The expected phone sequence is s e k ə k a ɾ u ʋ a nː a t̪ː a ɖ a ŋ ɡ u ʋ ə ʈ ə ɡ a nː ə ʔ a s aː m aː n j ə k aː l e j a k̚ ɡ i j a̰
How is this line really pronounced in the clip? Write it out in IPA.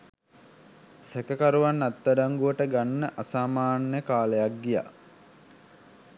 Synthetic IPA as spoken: s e k ə k a ɾ u ʋ a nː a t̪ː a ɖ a ŋ ɡ u ʋ ə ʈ ə ɡ a nː ə ʔ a s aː m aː n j ə k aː l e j a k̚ ɡ i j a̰